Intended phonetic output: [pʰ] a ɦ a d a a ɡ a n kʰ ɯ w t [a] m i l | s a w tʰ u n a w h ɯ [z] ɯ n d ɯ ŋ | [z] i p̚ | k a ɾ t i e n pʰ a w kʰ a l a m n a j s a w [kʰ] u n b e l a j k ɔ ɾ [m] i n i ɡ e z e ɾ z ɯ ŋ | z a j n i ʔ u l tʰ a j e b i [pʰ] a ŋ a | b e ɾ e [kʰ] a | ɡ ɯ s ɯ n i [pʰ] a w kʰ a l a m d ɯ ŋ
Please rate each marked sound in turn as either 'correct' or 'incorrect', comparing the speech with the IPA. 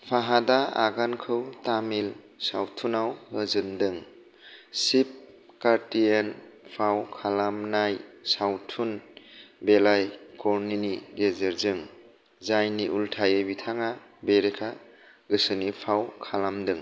correct, correct, correct, incorrect, incorrect, incorrect, incorrect, correct, correct

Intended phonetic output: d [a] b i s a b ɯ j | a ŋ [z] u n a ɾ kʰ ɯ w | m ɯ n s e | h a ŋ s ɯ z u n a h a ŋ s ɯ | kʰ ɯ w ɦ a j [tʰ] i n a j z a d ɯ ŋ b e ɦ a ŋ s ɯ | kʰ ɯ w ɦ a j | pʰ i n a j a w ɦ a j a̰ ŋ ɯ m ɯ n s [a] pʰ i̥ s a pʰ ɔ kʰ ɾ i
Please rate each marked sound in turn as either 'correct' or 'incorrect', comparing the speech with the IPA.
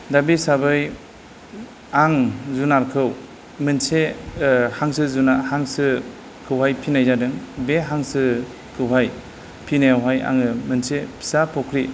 correct, correct, incorrect, incorrect

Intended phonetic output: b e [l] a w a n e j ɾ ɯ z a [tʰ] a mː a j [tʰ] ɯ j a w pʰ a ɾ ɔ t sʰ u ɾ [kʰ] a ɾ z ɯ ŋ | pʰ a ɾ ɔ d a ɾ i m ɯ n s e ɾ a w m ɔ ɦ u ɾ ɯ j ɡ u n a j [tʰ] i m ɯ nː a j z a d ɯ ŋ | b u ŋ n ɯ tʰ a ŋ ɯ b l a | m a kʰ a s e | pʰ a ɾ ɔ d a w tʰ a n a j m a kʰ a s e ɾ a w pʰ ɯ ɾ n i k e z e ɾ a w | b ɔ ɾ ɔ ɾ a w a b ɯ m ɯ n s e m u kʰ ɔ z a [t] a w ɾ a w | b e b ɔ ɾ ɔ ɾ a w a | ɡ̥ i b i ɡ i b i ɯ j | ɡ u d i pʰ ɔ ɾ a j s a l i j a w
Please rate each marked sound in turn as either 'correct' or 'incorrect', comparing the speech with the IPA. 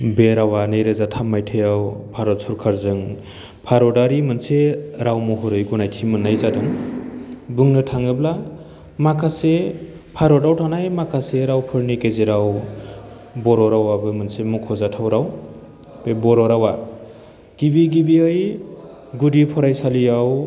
incorrect, correct, correct, correct, correct, incorrect

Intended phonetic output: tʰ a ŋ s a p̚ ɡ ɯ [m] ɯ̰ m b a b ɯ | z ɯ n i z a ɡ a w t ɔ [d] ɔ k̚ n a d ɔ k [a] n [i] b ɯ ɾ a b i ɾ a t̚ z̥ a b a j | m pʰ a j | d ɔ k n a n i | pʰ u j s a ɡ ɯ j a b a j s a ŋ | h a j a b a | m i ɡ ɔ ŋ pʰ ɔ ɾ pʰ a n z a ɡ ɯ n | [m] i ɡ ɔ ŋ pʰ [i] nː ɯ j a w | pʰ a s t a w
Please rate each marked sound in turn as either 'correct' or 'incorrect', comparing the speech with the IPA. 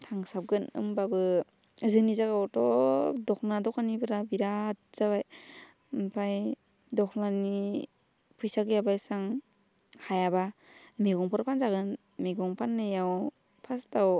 incorrect, correct, correct, correct, correct, incorrect

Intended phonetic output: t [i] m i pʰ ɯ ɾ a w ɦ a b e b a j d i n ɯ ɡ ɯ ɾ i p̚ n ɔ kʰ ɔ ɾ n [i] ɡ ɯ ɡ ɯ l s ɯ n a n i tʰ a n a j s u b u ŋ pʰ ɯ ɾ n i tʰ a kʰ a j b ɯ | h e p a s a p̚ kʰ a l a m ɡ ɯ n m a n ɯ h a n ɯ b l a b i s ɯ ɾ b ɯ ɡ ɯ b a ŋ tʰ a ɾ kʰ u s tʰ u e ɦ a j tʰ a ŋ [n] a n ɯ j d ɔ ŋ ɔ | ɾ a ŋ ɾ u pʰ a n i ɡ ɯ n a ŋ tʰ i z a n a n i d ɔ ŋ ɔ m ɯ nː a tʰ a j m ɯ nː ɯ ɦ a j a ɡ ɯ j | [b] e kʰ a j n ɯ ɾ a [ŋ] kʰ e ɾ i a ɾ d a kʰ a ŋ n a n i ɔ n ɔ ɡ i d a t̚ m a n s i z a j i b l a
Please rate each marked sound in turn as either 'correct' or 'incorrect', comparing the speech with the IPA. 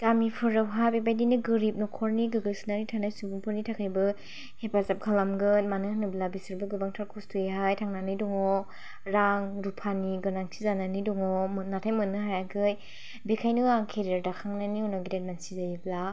incorrect, correct, correct, correct, correct

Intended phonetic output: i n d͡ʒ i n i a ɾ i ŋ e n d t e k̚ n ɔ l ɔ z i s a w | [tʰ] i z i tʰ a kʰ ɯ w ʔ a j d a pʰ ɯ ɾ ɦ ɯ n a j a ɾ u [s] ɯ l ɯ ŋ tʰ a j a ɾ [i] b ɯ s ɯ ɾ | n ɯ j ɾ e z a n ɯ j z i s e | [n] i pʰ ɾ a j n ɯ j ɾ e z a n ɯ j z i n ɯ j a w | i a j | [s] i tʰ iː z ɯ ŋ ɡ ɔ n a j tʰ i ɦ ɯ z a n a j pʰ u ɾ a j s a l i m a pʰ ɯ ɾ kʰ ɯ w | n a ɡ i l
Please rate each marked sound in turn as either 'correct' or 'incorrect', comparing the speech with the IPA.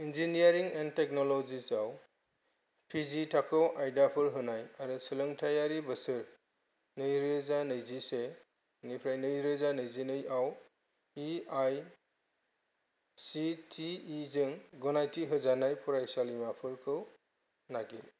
incorrect, correct, correct, correct, correct

